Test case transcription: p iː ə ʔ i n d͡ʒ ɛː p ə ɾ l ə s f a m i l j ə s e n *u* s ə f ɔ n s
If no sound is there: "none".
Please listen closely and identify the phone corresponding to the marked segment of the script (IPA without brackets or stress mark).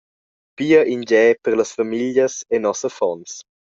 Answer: ɔ